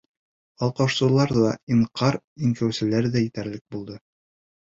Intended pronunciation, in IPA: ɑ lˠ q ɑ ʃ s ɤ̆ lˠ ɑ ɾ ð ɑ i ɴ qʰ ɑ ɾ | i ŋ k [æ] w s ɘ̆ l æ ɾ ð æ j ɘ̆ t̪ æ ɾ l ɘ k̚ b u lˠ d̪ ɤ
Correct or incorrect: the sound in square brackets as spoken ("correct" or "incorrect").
correct